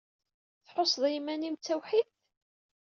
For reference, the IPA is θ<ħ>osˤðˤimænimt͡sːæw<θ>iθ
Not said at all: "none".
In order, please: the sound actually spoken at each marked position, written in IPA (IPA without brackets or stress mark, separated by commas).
ħ, ħ